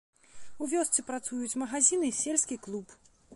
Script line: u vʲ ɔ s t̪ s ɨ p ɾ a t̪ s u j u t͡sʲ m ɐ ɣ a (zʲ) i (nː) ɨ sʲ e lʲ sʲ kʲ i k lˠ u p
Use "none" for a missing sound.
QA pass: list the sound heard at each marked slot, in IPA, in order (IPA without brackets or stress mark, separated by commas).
zʲ, n